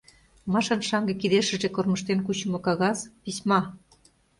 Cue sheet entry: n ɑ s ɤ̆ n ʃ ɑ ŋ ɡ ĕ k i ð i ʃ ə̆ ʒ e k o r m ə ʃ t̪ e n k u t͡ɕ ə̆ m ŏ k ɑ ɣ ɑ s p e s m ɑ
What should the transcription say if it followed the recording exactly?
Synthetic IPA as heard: m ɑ ʃ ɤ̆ n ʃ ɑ ŋ ɡ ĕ k i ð e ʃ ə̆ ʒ e k o r m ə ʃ t̪ e n k u t͡ɕ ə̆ m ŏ k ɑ ɣ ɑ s p i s m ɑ